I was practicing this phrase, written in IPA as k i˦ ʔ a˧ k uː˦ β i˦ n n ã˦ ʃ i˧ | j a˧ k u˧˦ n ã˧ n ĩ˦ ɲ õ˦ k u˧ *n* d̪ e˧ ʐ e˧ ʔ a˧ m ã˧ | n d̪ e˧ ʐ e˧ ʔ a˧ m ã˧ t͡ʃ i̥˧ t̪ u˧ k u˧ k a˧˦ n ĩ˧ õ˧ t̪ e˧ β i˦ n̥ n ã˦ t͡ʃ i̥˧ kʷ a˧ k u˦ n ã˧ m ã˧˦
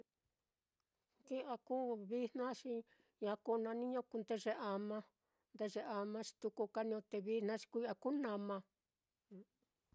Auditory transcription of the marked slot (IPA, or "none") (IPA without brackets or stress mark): n